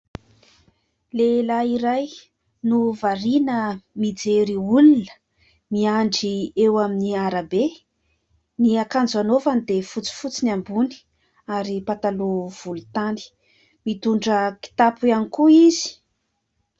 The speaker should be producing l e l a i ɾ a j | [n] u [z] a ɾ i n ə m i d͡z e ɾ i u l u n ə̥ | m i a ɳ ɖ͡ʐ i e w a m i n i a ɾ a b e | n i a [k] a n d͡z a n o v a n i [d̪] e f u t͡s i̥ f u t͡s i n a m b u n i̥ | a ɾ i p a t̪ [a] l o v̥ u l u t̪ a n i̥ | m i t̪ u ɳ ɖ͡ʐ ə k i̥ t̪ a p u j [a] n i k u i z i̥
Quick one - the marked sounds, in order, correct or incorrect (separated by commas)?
correct, incorrect, correct, correct, correct, correct